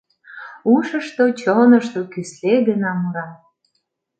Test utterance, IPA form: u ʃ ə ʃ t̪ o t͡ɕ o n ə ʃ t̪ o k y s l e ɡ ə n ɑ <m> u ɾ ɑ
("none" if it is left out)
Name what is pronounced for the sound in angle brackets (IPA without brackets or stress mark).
m